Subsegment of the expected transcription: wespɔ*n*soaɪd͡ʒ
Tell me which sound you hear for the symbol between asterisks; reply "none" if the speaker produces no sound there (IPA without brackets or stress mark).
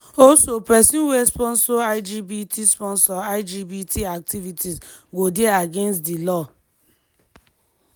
n